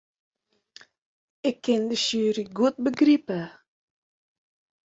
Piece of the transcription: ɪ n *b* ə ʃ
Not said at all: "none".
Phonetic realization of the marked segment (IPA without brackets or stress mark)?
d